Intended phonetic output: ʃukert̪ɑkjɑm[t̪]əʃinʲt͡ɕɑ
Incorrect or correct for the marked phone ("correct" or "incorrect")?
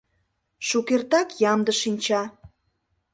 incorrect